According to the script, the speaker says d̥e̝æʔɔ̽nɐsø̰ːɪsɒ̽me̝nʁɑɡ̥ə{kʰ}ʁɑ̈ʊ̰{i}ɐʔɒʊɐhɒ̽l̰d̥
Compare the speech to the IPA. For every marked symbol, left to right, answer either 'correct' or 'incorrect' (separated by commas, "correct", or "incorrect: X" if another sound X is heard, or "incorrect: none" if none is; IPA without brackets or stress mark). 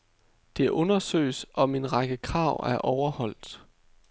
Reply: correct, incorrect: æ